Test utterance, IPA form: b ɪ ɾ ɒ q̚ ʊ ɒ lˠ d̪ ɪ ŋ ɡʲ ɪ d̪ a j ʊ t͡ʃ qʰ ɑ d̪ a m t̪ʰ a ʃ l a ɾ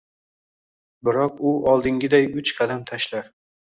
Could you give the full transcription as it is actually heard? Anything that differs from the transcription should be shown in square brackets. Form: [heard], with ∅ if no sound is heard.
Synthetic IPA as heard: b ɪ ɾ ɒ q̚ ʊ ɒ lˠ d̪ ɪ ŋ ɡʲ ɪ d̪ a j ʊ t͡ʃ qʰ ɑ d̪ a m t̪ʰ a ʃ l a ɾ